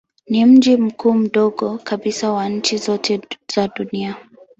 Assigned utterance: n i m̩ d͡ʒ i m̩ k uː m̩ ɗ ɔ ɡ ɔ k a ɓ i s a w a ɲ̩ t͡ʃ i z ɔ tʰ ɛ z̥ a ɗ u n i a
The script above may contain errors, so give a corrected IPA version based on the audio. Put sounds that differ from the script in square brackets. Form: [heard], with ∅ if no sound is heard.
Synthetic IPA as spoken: n i m̩ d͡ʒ i m̩ k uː m̩ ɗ ɔ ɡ ɔ k a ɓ i s a w a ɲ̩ t͡ʃ i z ɔ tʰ ɛ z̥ a ɗ u n i a